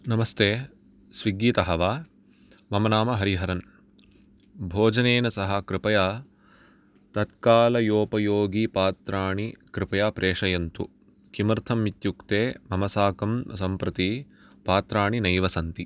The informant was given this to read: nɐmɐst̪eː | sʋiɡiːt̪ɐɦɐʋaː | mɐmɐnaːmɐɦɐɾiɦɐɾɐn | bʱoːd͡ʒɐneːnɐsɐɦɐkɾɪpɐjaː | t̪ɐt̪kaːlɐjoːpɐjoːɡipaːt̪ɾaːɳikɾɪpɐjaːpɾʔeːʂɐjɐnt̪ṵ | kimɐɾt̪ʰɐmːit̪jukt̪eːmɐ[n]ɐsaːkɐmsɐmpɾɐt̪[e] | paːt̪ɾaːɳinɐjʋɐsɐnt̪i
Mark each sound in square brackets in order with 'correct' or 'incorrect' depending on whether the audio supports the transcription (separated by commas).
incorrect, incorrect